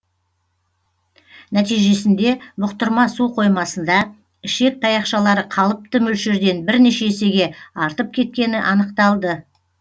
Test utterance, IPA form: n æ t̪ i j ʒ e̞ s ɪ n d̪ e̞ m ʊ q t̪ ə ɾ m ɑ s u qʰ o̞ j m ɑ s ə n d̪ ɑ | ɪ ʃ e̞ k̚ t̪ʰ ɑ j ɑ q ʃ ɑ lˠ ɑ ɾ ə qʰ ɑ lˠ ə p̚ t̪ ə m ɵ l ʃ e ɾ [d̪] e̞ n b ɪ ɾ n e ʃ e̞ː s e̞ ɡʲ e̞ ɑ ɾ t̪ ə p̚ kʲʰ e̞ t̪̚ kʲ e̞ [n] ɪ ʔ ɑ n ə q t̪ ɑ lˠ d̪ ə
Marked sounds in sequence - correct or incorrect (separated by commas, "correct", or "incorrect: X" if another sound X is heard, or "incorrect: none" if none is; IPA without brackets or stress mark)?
correct, correct